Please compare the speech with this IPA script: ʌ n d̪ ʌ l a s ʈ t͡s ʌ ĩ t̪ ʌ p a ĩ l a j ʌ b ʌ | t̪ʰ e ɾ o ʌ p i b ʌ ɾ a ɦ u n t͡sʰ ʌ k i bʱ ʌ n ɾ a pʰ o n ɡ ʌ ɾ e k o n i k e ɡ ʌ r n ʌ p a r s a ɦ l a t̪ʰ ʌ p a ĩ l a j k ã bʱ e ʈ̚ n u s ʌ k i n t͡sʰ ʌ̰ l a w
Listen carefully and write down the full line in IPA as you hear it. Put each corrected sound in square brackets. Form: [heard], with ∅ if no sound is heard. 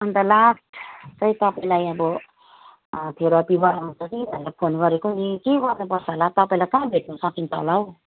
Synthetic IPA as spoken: ʌ n [t̪] ʌ l a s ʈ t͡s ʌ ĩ t̪ ʌ p a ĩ l a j ʌ b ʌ | t̪ʰ e ɾ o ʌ p i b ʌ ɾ a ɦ u n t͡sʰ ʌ k i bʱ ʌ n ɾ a pʰ o n ɡ ʌ ɾ e k o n i k e ɡ ʌ r n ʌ p [ʌ] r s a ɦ l a [t̪] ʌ p a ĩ l a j k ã bʱ e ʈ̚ n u s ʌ k i n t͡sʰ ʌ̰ l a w